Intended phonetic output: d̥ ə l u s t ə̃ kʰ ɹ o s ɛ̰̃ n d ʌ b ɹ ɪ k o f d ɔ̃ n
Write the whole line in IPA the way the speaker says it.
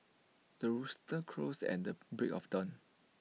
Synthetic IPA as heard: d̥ ə ɹ u s t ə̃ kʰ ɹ o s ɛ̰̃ n d ə b ɹ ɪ k ɔ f d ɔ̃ n